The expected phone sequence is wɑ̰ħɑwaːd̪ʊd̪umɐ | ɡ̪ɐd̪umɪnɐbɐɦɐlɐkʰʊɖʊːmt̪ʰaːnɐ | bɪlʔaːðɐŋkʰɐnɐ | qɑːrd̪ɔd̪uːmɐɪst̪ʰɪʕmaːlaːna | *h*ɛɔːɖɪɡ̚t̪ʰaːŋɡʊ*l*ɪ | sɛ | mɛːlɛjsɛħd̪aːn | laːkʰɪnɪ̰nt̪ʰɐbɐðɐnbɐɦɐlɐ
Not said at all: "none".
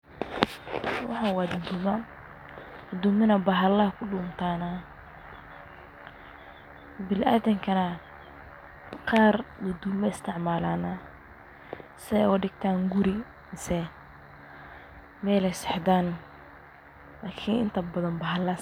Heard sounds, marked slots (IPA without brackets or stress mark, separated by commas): s, ɾ